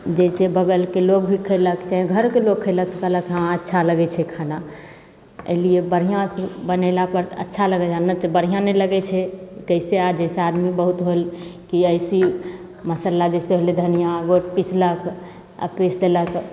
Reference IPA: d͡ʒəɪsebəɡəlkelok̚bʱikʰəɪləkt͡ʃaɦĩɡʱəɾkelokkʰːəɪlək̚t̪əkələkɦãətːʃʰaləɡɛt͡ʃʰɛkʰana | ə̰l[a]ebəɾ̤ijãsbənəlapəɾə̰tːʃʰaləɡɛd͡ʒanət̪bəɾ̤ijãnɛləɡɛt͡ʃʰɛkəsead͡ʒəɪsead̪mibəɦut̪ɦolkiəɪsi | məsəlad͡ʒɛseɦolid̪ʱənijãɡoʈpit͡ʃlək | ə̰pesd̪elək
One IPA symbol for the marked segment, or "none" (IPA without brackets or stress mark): i